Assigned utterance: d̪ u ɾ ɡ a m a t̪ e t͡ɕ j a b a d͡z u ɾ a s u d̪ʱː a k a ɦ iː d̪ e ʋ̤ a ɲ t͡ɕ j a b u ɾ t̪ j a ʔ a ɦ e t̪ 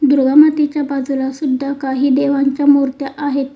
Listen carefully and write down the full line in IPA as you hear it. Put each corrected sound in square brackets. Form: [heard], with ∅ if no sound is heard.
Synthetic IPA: d̪ u ɾ ɡ a m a t̪ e t͡ɕ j a b a d͡z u [l] a s u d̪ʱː a k a ɦ iː d̪ e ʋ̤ a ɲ t͡ɕ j a [m] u ɾ t̪ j a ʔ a ɦ e t̪